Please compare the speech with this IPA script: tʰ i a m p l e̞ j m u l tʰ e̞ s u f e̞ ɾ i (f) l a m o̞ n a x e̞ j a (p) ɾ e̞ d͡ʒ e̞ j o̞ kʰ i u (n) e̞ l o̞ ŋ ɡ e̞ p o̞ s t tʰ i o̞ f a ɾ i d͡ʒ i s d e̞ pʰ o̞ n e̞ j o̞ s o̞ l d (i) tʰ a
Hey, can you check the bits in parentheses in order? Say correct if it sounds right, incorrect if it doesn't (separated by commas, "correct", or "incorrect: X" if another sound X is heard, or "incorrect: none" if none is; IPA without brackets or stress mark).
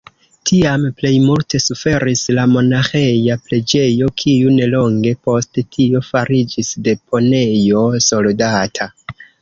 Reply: incorrect: s, correct, correct, incorrect: a